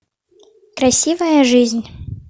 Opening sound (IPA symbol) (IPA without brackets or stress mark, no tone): k